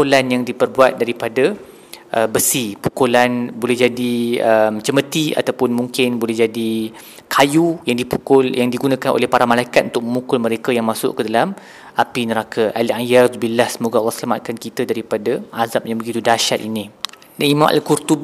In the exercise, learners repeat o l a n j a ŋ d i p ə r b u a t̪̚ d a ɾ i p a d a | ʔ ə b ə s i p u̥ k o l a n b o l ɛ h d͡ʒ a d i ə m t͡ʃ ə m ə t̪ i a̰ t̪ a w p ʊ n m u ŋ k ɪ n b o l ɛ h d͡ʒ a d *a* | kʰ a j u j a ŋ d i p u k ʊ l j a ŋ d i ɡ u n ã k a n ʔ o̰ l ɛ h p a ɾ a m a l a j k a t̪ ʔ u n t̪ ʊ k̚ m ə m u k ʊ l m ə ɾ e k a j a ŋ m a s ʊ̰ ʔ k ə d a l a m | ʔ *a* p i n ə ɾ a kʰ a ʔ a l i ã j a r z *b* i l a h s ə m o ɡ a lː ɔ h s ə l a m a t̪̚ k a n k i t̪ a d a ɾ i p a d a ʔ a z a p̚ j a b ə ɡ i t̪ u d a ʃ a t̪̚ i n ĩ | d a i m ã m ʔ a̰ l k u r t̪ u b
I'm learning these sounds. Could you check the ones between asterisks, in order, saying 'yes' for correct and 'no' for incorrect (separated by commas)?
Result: no, yes, yes